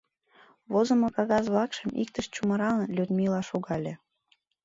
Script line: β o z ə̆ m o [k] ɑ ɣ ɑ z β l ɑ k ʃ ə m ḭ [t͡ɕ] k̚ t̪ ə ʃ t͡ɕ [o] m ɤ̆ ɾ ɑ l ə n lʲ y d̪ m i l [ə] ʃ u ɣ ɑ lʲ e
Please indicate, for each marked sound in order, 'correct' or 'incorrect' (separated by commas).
correct, incorrect, incorrect, incorrect